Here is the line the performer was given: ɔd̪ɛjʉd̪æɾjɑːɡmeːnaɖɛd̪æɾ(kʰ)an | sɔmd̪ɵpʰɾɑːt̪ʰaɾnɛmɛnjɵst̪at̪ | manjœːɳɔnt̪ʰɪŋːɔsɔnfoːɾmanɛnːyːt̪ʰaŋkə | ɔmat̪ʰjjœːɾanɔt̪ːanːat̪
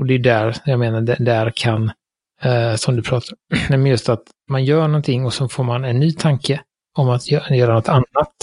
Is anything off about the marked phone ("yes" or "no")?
no